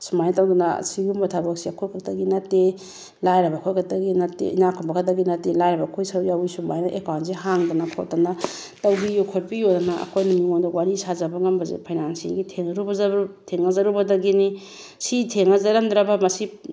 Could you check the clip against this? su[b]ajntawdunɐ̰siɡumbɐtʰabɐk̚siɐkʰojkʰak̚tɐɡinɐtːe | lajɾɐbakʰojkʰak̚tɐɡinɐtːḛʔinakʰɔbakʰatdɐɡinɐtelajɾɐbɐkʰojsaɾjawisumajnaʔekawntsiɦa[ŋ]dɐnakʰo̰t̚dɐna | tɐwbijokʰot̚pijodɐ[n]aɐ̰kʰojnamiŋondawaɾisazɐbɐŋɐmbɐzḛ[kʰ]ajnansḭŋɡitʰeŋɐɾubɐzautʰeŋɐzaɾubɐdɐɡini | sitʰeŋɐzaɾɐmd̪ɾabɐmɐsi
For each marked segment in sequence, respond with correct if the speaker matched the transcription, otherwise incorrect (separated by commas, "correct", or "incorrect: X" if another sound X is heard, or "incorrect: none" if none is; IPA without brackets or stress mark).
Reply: incorrect: m, correct, correct, incorrect: pʰ